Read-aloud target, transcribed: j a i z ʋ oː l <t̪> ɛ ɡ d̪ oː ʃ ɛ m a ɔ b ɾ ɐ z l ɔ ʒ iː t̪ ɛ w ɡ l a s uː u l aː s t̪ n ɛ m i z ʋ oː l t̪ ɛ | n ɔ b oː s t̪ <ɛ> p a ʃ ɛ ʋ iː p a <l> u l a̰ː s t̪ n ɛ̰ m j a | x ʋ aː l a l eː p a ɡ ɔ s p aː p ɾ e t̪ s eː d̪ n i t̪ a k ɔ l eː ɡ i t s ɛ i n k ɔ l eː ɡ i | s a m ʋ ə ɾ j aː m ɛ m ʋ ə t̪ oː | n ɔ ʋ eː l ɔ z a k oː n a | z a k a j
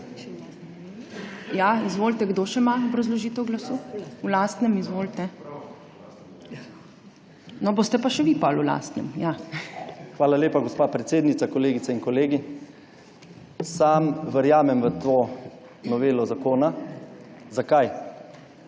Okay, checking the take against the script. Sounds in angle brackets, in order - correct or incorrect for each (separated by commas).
correct, correct, correct